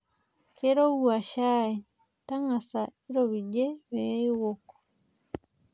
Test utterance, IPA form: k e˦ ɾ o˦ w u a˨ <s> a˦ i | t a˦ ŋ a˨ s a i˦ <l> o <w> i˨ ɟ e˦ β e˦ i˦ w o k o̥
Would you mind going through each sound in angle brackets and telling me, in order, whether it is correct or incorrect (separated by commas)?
incorrect, incorrect, incorrect